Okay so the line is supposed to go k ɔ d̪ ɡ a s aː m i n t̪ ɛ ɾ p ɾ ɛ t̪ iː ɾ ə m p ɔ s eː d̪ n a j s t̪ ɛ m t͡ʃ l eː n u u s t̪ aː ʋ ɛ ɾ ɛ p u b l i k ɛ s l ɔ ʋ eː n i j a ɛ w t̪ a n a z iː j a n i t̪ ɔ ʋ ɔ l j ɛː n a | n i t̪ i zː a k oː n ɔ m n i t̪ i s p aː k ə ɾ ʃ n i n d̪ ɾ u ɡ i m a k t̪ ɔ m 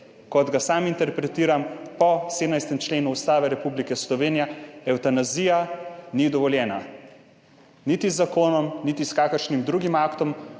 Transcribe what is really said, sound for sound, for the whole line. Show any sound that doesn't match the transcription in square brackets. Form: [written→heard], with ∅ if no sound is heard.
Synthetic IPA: k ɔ d̪ ɡ a s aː m i n t̪ ɛ ɾ p ɾ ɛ t̪ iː ɾ [ə→a] m p ɔ s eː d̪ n a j s t̪ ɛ m t͡ʃ l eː n u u s t̪ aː ʋ ɛ ɾ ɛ p u b l i k ɛ s l ɔ ʋ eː n i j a ɛ w t̪ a n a z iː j a n i [t̪→d̪] ɔ ʋ ɔ l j ɛː n a | n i t̪ i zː a k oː n ɔ m n i t̪ i s [p→k] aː k ə ɾ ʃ n i [n→m] d̪ ɾ u ɡ i m a k t̪ ɔ m